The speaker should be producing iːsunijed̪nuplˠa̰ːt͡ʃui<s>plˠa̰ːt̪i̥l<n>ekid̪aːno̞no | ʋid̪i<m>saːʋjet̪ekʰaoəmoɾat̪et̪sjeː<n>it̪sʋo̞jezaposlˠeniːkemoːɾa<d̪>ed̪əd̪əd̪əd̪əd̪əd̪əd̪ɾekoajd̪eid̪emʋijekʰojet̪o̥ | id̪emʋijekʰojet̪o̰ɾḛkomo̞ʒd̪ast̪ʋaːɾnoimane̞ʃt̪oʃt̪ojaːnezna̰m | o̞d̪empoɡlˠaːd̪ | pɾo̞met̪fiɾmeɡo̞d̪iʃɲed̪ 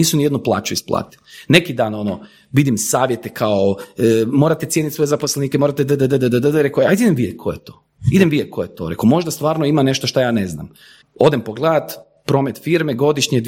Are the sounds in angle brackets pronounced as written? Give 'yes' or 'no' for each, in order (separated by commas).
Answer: yes, yes, yes, yes, no